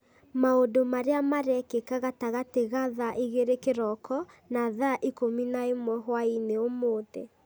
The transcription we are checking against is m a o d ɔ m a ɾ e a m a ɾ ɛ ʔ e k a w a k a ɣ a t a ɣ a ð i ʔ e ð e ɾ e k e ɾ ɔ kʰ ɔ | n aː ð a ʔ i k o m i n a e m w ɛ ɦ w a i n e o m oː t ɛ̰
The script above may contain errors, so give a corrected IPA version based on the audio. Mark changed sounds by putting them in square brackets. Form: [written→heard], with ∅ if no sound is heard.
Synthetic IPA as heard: m a o d [ɔ→o] m a ɾ e a m a ɾ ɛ [ʔ→k] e k a [w→ɣ] a [k→t] a ɣ a t [a→e] ɣ a ð [i→a] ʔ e [ð→ɣ] e ɾ e k e ɾ ɔ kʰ ɔ | n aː ð a ʔ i k o m i n a e m w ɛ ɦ w a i n e o m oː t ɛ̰